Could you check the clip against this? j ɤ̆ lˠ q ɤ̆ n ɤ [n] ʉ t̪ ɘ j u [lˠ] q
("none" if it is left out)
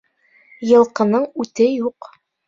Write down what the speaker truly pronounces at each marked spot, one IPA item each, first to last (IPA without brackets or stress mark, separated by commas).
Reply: ɴ, none